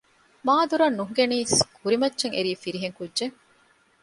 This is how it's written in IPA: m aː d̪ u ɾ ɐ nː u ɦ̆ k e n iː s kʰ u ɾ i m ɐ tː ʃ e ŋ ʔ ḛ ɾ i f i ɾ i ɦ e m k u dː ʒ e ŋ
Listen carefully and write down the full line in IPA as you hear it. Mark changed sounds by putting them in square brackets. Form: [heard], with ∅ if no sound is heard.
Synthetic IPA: m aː d̪ u ɾ ɐ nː u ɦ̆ [ɡ] e n iː s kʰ u ɾ i m ɐ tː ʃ e ŋ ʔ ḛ ɾ [iː] f i ɾ i ɦ e [ŋ] k u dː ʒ e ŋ